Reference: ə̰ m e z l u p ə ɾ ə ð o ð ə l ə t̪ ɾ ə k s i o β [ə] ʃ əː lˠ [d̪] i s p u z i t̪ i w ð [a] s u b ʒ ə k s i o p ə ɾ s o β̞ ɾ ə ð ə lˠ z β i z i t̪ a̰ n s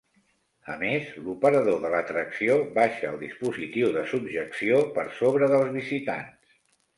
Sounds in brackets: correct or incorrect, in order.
incorrect: a, correct, incorrect: ə

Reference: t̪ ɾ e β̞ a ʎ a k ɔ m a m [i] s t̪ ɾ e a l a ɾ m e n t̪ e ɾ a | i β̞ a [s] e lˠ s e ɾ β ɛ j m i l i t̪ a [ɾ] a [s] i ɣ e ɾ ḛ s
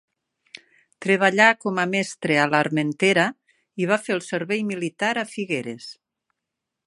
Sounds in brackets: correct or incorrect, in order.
incorrect: ɛ, incorrect: f, correct, incorrect: f

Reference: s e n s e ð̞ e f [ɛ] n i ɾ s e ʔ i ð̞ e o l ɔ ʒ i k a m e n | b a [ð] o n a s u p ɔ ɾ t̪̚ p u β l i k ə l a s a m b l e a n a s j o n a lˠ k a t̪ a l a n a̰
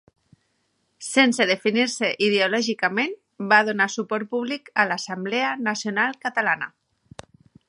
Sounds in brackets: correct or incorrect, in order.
incorrect: i, correct

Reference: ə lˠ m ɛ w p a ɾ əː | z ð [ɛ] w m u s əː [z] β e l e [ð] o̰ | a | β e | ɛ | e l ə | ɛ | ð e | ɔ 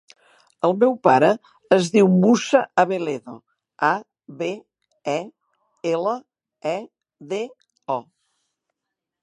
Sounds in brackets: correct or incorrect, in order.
incorrect: i, incorrect: none, correct

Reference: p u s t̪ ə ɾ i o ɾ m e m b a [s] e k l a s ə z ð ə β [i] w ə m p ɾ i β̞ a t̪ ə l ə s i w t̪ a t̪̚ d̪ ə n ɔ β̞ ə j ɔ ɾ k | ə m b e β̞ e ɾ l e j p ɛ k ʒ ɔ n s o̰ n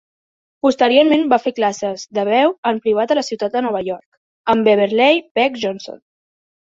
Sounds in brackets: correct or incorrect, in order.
incorrect: f, incorrect: ɛ

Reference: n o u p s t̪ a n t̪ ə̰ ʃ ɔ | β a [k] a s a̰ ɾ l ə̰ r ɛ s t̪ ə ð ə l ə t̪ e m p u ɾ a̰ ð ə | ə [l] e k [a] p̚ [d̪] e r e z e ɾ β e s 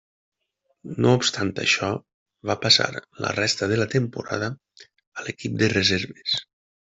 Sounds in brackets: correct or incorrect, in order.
incorrect: p, correct, incorrect: i, correct

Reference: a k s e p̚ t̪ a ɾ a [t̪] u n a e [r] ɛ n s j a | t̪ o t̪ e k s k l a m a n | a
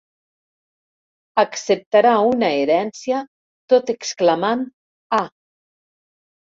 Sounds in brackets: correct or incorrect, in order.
incorrect: none, incorrect: ɾ

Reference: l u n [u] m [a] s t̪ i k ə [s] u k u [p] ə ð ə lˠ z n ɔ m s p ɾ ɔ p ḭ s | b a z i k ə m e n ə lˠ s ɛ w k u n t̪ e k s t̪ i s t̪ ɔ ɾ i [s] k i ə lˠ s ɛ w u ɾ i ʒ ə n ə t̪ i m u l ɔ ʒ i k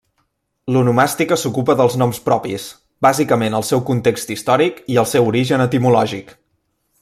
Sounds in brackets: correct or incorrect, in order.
correct, correct, correct, correct, incorrect: none

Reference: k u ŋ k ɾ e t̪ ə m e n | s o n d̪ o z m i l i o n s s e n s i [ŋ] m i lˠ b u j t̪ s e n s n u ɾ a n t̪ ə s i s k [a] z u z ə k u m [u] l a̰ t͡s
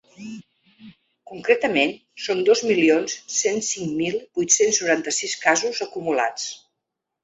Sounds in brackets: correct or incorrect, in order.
correct, correct, correct

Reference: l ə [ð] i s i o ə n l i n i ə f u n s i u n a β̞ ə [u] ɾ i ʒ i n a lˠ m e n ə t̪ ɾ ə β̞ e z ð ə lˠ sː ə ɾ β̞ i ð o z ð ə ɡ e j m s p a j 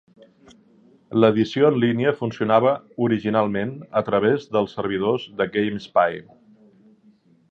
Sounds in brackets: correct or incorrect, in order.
correct, correct

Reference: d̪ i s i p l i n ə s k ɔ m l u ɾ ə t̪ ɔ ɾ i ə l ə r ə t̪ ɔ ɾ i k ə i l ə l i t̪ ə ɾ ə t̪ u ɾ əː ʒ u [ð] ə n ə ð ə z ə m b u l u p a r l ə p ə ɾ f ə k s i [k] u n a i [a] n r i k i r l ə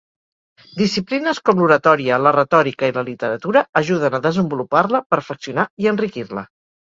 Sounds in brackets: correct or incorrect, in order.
correct, incorrect: none, incorrect: ə

